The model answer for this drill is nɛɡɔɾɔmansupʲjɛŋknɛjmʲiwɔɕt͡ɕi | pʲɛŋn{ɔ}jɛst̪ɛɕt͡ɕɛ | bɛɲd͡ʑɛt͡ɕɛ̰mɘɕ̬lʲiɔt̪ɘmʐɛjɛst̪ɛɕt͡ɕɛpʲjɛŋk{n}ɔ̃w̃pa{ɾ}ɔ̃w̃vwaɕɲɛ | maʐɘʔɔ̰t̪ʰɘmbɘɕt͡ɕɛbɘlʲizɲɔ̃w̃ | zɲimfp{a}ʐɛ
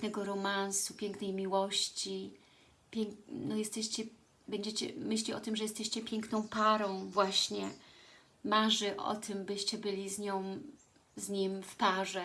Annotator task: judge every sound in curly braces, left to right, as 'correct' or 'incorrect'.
correct, correct, correct, correct

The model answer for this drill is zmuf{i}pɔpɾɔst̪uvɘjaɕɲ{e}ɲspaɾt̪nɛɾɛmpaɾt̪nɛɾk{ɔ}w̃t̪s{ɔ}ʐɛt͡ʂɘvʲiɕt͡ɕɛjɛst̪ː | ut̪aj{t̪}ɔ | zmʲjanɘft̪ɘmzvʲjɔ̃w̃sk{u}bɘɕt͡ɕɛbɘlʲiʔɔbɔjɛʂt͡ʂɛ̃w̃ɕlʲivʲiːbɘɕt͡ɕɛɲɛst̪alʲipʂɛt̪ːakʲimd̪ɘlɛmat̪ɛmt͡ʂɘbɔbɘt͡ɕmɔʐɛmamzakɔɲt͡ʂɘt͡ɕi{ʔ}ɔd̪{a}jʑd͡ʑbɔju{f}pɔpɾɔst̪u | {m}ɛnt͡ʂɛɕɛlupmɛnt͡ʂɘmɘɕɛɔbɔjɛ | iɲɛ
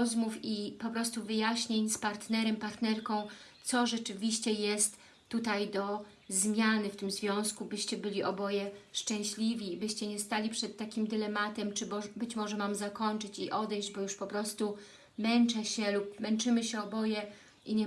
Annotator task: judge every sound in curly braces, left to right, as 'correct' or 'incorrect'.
correct, correct, incorrect: ɔ̃, correct, incorrect: d̪, correct, correct, incorrect: ɛ, incorrect: ʂ, correct

